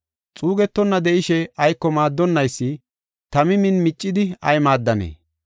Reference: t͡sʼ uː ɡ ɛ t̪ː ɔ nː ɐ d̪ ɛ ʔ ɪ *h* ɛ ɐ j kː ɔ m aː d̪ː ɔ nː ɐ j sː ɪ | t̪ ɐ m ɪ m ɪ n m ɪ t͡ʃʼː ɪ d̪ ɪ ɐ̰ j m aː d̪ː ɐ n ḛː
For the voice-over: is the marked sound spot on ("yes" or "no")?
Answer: no